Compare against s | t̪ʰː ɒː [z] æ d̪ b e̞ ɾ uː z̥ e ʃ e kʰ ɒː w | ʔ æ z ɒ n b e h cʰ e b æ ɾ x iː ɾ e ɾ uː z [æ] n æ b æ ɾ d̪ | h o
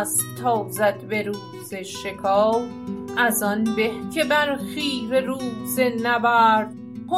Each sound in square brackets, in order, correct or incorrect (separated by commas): correct, incorrect